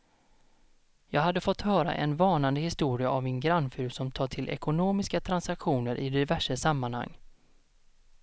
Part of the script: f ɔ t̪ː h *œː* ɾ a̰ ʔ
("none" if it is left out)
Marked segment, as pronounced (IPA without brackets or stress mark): œː